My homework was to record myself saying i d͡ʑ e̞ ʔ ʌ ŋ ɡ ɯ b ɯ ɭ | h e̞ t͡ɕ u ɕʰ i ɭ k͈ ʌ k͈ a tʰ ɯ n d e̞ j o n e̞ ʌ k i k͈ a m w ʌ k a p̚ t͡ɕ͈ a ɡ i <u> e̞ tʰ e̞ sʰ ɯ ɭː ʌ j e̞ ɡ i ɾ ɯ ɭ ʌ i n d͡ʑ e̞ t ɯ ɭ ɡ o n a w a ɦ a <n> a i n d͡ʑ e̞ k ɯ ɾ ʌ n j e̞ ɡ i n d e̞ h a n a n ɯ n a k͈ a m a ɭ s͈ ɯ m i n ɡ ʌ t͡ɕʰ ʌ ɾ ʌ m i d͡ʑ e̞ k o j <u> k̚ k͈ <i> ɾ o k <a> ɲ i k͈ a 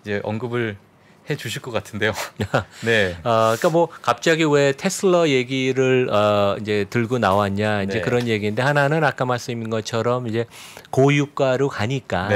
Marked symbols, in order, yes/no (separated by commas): no, no, yes, no, yes